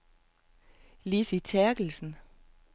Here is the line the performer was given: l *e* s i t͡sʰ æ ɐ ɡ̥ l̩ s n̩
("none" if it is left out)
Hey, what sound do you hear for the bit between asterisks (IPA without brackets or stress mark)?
i